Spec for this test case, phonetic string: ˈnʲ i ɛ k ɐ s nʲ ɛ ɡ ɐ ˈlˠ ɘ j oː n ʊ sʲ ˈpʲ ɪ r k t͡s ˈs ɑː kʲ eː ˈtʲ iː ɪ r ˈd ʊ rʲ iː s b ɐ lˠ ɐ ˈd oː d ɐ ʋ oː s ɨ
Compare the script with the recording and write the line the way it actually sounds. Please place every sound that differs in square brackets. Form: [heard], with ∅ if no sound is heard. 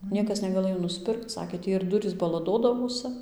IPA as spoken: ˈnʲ i ɛ k ɐ s nʲ ɛ ɡ ɐ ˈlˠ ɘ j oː n ʊ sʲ ˈpʲ ɪ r k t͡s ˈs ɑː kʲ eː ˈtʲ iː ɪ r ˈd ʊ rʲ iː s b ɐ lˠ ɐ ˈd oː d ɐ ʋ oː s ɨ